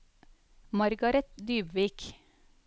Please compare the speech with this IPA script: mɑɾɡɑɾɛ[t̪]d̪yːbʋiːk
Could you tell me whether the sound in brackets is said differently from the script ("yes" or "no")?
no